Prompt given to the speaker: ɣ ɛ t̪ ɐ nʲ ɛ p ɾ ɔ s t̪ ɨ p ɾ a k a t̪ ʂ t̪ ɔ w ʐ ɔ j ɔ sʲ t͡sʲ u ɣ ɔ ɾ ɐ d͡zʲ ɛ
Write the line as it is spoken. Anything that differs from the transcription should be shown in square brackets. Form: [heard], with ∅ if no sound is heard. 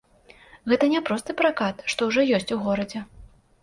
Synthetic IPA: ɣ ɛ t̪ ɐ nʲ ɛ p ɾ ɔ s t̪ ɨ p ɾ a k a t̪ ʂ t̪ ɔ w ʐ ɔ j ɔ sʲ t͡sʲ u ɣ ɔ ɾ ɐ d͡zʲ ɛ